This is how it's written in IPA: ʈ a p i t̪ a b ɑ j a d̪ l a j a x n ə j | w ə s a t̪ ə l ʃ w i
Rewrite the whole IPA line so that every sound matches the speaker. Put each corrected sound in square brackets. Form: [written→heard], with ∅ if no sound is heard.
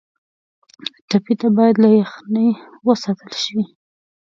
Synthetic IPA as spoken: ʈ a p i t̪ a b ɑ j a d̪ l a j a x n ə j | w ə s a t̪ ə l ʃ w i

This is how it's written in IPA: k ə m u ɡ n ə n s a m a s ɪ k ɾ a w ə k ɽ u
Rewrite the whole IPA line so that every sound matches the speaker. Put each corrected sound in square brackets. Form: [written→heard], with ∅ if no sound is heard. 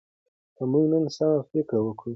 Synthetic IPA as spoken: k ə m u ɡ n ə n s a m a [s→f] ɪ k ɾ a w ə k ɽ u

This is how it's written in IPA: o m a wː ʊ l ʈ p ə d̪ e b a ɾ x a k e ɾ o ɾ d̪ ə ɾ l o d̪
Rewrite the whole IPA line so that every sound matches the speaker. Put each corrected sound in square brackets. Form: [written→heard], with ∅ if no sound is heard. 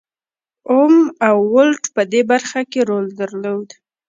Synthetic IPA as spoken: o m a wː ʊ l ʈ p ə d̪ e b a ɾ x a k e ɾ o [ɾ→l] d̪ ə ɾ l o d̪

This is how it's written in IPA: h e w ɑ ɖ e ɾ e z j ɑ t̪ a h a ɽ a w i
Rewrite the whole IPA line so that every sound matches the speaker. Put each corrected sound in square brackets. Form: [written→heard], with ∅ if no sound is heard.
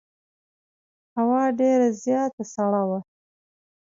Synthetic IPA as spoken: h [e→a] w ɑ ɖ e ɾ [e→a] z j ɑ t̪ a [h→s] a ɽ a w [i→a]

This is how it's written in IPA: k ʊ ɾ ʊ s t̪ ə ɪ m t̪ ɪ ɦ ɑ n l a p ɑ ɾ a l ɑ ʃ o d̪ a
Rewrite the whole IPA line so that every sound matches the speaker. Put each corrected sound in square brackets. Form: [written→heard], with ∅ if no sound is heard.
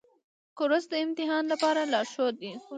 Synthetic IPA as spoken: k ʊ ɾ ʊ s [t̪→d̪] ə ɪ m t̪ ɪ ɦ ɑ n l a p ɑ ɾ a l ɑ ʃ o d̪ [a→i]

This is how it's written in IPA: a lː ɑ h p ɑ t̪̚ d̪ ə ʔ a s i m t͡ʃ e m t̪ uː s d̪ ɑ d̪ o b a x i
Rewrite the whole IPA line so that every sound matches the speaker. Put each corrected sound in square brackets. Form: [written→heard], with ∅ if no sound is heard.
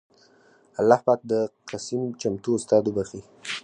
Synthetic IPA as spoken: a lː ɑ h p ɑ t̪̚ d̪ ə [ʔ→q] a s i m t͡ʃ [e→a] m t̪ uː s [d̪→t̪] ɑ d̪ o b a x i

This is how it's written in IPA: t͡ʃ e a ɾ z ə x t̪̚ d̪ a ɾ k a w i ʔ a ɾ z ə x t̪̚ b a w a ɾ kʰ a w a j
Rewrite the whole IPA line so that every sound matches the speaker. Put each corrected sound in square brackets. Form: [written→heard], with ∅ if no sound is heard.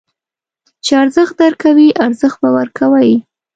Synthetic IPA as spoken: t͡ʃ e a ɾ z ə x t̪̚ d̪ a ɾ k a w i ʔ a ɾ z ə x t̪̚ b a w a ɾ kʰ a w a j

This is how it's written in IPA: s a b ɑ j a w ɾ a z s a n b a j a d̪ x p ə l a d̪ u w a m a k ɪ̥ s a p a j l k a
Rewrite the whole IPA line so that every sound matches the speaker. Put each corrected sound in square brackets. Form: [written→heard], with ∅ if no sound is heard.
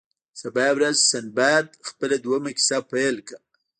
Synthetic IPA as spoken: s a b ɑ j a w ɾ a z s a n b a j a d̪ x p ə l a d̪ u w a m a k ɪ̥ s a p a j l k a

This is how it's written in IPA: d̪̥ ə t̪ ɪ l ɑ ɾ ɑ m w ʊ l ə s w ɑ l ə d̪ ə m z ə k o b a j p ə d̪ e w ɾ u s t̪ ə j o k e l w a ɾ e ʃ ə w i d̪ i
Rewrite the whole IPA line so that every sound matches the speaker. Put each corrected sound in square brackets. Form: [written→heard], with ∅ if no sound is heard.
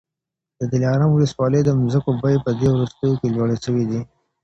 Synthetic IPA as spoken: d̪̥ ə [t̪→d̪] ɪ l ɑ ɾ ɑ m w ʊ l ə s w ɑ l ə d̪ ə m z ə k o b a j p ə d̪ e w ɾ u s t̪ ə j o k e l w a [ɾ→ɽ] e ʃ ə w i d̪ i

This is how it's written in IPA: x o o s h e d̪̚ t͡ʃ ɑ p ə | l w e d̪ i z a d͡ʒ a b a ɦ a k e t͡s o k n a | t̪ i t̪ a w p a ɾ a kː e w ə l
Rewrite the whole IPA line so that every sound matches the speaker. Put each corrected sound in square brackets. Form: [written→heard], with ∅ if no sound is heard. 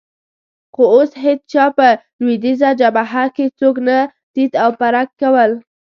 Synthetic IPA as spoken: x o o s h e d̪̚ t͡ʃ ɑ p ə | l w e d̪ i z a d͡ʒ a b a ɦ a k e t͡s o k n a | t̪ i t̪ a w p a ɾ a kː [e→a] w ə l

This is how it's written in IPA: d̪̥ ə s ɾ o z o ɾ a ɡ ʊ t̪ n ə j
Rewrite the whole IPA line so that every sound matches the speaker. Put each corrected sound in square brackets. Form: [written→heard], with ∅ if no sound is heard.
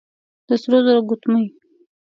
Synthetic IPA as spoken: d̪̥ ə s ɾ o z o ɾ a ɡ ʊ t̪ [n→m] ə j

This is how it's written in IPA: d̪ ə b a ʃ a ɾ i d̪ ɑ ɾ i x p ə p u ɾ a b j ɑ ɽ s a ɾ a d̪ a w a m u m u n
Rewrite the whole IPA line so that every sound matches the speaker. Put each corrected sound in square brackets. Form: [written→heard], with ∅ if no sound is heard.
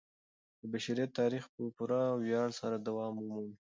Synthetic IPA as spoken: d̪ ə b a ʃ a ɾ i [d̪→t̪] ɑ ɾ i x p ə p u ɾ a [b→w] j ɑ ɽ s a ɾ a d̪ a w [a→ɑ] m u m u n

